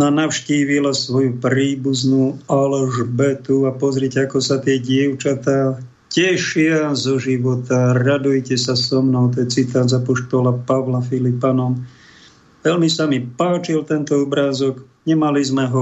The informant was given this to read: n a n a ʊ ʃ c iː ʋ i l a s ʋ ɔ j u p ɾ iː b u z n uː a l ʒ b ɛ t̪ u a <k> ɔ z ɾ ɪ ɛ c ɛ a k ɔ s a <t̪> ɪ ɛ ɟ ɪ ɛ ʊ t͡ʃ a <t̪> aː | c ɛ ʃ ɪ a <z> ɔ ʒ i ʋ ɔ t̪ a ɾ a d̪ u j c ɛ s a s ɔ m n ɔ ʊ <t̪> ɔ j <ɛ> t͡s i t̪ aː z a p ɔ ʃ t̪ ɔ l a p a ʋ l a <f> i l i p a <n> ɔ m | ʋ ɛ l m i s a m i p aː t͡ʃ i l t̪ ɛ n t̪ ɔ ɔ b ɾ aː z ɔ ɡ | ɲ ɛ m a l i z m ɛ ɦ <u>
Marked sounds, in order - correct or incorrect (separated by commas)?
incorrect, correct, correct, correct, correct, correct, correct, correct, incorrect